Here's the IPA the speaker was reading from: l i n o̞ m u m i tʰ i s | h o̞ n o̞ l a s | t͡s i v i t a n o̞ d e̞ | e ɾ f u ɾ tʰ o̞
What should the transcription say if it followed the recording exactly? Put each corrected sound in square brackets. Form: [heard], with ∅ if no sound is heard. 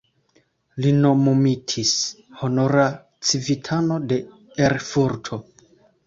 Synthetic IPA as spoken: l i n o̞ m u m i tʰ i s | h o̞ n o̞ [ɾ] a [∅] | t͡s i v i [tʰ] a n o̞ d e̞ | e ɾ f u ɾ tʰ o̞